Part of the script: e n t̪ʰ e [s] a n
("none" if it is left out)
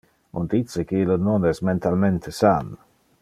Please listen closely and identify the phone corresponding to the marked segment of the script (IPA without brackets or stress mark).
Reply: s